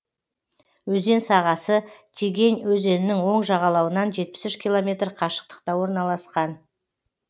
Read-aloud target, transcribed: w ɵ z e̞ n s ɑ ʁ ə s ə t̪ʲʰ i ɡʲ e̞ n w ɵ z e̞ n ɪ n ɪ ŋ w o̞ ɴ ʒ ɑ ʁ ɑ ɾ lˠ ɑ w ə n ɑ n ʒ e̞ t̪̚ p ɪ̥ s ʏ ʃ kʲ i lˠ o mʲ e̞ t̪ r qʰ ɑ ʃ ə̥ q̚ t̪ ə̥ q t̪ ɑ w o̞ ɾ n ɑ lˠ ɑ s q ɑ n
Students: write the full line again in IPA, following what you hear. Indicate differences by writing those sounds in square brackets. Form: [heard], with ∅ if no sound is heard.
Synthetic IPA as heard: w ɵ z e̞ n s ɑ ʁ [ɑ] s ə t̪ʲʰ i ɡʲ e̞ n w ɵ z e̞ n ɪ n ɪ ŋ w o̞ ɴ ʒ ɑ ʁ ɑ [∅] lˠ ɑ w ə n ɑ n ʒ e̞ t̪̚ p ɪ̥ s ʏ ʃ kʲ i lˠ o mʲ e̞ t̪ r qʰ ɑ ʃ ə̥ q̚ t̪ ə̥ q t̪ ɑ w o̞ ɾ n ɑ lˠ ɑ s q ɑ n